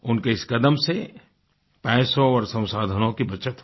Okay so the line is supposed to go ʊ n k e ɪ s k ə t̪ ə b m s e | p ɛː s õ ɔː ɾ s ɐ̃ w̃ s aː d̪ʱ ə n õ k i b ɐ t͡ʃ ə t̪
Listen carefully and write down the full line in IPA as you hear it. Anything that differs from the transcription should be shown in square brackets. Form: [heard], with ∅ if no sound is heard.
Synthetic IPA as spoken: ʊ n k e ɪ s k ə [d̪] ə [∅] m s e | p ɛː s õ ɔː ɾ s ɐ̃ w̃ s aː d̪ʱ ə n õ k i b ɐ t͡ʃ ə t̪